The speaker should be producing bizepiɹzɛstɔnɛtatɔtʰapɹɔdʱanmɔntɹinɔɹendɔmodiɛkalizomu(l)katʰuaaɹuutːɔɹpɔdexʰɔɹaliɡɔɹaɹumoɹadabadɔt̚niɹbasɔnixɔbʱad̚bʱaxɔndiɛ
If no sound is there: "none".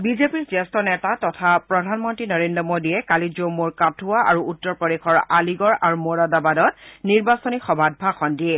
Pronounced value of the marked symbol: ɹ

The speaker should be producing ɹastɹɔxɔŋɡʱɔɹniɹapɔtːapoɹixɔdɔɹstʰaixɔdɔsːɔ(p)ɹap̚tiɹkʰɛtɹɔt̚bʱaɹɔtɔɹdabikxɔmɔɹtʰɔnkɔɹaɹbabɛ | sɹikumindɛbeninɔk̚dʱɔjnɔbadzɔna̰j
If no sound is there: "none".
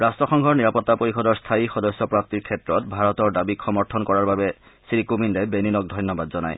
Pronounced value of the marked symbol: p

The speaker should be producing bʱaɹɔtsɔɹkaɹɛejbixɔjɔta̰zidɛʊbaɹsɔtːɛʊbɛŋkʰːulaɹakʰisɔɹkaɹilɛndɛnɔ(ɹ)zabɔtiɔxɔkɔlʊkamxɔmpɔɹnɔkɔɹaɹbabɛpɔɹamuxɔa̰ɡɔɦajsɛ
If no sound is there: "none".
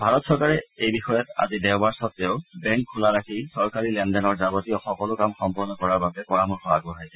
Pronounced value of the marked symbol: ɹ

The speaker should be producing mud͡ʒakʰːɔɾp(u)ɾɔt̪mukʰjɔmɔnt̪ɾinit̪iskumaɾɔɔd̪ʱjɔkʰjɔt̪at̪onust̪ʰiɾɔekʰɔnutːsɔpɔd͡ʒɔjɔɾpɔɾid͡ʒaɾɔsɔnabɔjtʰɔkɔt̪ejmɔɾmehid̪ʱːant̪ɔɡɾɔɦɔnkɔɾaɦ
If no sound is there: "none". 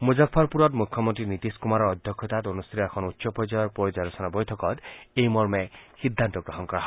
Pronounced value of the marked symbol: u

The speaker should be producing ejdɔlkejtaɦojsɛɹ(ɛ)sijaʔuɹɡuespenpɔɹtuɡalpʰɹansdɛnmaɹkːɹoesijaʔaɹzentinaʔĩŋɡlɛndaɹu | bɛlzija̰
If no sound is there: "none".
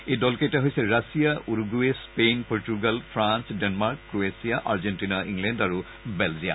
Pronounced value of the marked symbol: a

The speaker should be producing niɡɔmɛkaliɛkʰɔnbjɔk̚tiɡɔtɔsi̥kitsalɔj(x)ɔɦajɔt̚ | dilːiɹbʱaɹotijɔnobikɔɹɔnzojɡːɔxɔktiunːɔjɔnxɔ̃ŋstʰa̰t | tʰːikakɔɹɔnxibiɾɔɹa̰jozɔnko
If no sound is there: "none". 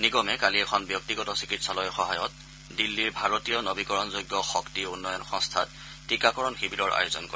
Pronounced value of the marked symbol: x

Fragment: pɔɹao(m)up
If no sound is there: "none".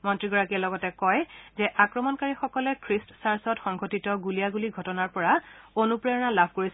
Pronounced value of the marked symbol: n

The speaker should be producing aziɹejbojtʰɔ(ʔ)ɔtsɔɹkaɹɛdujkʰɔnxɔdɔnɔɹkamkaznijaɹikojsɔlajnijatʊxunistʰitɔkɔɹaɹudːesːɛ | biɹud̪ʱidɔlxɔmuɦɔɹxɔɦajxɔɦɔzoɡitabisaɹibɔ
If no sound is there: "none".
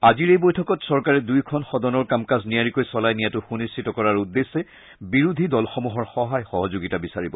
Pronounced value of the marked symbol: k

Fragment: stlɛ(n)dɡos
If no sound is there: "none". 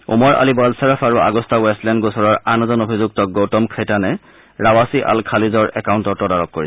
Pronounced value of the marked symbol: n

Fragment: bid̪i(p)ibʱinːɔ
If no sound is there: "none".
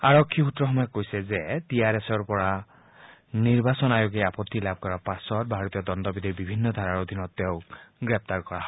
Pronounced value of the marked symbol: b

